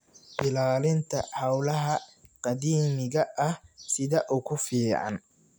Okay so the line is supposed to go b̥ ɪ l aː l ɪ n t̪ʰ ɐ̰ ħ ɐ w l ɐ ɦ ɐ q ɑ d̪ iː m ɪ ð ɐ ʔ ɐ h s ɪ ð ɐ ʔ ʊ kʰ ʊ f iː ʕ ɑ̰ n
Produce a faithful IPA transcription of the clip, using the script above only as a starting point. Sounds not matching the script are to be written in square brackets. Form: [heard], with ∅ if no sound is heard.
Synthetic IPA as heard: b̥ ɪ l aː l ɪ n t̪ʰ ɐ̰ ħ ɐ w l ɐ ɦ ɐ q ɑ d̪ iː m ɪ [ɣ] ɐ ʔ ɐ h s ɪ ð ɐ ʔ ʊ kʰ ʊ f iː ʕ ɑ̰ n

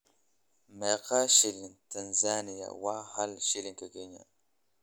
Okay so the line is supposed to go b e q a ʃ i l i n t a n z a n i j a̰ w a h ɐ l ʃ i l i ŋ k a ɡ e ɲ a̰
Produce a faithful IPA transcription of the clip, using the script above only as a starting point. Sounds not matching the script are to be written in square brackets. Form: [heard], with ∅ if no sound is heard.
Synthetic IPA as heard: [m] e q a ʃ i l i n t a n z a n i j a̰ w a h [a] l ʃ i l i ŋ k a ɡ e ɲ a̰

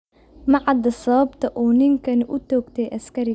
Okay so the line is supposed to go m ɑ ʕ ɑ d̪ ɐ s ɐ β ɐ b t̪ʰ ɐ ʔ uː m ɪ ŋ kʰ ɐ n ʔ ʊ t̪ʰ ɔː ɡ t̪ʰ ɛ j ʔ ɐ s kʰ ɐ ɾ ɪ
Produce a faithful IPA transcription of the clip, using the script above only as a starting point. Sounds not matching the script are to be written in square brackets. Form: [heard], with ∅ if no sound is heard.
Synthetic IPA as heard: m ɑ ʕ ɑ d̪ ɐ s ɐ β ɐ b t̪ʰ ɐ ʔ uː [n] ɪ ŋ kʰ ɐ n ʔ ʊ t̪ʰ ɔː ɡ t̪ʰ ɛ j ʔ ɐ s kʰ ɐ ɾ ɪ

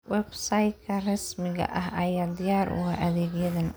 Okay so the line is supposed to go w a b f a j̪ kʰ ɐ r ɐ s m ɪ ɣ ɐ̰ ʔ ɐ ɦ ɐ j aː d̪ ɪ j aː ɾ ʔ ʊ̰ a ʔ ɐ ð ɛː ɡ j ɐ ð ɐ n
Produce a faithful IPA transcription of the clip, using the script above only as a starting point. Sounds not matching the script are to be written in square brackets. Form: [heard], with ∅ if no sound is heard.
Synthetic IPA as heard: w [ɛ] b [s] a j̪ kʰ ɐ r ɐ s m ɪ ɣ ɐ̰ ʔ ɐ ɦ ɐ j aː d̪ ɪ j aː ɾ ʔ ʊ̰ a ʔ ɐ ð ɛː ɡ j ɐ ð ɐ n

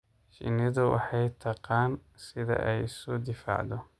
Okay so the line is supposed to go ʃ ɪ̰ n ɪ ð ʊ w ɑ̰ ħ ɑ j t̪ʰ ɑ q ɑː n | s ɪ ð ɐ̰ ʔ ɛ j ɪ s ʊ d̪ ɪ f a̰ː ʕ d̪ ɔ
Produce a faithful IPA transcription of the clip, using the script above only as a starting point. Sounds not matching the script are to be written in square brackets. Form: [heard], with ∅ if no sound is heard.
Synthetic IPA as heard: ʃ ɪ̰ n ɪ ð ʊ w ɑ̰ ħ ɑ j t̪ʰ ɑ q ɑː n | s ɪ ð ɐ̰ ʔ ɛ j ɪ s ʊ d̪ ɪ f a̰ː ʕ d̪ ɔ

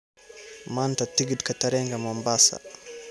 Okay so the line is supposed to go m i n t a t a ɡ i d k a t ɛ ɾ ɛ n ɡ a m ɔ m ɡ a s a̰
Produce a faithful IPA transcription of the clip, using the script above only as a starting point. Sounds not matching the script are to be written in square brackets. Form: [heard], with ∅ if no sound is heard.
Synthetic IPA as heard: m [a] n t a t [i] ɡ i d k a t [a] ɾ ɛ [ŋ] ɡ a m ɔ m [b] a s a̰

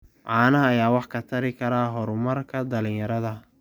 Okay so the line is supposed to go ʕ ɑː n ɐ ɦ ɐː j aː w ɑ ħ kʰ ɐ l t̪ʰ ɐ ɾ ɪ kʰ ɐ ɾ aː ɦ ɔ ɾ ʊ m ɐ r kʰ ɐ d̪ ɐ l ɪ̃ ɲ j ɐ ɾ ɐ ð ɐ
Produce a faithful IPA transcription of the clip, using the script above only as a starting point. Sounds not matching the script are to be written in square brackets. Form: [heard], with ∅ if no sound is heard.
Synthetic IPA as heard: ʕ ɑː n ɐ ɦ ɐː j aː w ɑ ħ kʰ ɐ [∅] t̪ʰ ɐ ɾ ɪ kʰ ɐ ɾ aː ɦ ɔ ɾ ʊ m ɐ r kʰ ɐ d̪ ɐ l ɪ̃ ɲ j ɐ ɾ ɐ ð ɐ

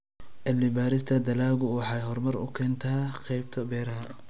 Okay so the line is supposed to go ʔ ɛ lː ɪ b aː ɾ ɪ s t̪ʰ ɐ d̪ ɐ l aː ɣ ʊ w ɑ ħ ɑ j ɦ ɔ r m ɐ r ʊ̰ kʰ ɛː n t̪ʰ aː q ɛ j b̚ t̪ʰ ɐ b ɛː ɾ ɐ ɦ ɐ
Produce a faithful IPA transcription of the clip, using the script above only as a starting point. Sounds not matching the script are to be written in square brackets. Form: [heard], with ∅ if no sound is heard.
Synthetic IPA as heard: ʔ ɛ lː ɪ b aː ɾ ɪ s t̪ʰ ɐ d̪ ɐ l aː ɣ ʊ w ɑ ħ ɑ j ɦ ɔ r m ɐ r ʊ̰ kʰ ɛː n t̪ʰ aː q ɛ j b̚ t̪ʰ ɐ b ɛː ɾ ɐ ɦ ɐ

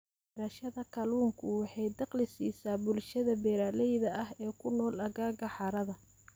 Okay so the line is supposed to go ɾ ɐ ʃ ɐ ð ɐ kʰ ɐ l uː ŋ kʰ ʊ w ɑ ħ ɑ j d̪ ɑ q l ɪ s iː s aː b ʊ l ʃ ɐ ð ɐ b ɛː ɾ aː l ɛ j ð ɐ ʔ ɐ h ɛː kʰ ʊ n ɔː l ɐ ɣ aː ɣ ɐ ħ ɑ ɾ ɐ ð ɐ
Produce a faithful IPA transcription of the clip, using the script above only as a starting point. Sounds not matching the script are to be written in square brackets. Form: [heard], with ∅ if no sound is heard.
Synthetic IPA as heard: ɾ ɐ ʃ ɐ ð ɐ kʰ ɐ l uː ŋ kʰ ʊ w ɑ ħ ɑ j d̪ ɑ q l ɪ s iː s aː b ʊ l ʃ ɐ ð ɐ b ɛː ɾ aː l ɛ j ð ɐ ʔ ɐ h ɛː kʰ ʊ n ɔː l ɐ ɣ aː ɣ ɐ ħ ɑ ɾ ɐ ð ɐ

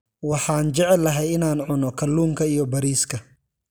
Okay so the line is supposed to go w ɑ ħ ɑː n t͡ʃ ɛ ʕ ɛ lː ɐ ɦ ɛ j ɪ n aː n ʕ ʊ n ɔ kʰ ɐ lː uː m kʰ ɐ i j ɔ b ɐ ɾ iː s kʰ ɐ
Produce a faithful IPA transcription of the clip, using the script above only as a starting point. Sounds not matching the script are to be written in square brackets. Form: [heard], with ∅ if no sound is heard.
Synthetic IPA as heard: w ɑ ħ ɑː n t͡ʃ ɛ ʕ ɛ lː ɐ ɦ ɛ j ɪ n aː n ʕ ʊ n ɔ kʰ ɐ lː uː m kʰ ɐ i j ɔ b ɐ ɾ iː s kʰ ɐ

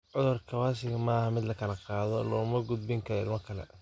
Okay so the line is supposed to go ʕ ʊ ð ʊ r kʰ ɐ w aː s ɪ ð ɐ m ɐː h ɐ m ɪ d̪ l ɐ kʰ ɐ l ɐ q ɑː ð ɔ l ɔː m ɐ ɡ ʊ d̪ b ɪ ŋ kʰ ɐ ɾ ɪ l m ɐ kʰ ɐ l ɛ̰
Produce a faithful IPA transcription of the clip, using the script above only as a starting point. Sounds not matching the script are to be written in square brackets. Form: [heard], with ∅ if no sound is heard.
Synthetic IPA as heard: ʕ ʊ ð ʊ r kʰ ɐ w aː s ɪ [ɣ] ɐ m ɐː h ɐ m ɪ d̪ l ɐ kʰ ɐ l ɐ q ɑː ð ɔ l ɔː m ɐ ɡ ʊ d̪ b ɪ ŋ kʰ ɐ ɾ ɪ l m ɐ kʰ ɐ l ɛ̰

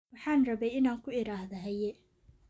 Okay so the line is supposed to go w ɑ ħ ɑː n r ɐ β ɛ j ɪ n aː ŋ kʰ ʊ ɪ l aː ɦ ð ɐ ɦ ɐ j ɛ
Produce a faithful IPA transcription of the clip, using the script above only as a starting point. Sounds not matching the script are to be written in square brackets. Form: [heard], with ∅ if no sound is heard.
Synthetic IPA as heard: w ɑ ħ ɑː n r ɐ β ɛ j ɪ n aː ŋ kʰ ʊ ɪ [ɾ] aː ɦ ð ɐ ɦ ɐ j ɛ

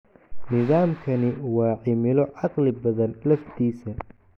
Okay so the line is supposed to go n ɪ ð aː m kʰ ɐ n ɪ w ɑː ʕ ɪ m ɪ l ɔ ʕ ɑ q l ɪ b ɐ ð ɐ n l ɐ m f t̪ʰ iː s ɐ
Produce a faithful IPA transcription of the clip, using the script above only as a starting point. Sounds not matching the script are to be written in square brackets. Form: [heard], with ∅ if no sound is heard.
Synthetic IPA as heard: n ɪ ð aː m kʰ ɐ n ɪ w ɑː ʕ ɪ m ɪ l ɔ ʕ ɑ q l ɪ b ɐ ð ɐ n l ɐ [∅] f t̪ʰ iː s ɐ

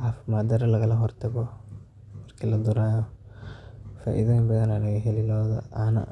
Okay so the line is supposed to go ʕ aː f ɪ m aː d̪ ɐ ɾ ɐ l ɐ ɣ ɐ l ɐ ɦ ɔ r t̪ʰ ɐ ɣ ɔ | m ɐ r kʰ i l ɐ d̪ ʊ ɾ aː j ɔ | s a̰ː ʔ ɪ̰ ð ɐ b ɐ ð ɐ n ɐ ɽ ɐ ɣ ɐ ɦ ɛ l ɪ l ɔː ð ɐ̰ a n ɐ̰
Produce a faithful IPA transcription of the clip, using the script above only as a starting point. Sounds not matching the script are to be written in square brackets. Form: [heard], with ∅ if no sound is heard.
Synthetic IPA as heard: ʕ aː f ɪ m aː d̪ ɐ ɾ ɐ l ɐ ɣ ɐ l ɐ ɦ ɔ r t̪ʰ ɐ ɣ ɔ | m ɐ r kʰ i l ɐ d̪ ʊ ɾ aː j ɔ | [f] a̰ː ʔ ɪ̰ ð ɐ b ɐ ð ɐ n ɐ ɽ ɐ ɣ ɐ ɦ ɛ l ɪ l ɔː ð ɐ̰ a n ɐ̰

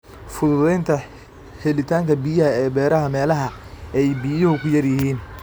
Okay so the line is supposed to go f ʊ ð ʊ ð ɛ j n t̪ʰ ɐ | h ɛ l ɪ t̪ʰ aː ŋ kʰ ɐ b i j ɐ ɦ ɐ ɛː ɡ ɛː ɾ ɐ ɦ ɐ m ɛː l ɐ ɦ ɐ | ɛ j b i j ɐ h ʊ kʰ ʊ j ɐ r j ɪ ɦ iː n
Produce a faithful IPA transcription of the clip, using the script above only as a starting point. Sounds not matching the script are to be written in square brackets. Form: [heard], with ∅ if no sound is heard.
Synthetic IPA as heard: f ʊ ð ʊ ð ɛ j n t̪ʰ ɐ | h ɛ l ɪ t̪ʰ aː ŋ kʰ ɐ b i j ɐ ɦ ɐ ɛː [b] ɛː ɾ ɐ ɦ ɐ m ɛː l ɐ ɦ ɐ | ɛ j b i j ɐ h ʊ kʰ ʊ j ɐ r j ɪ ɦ iː n

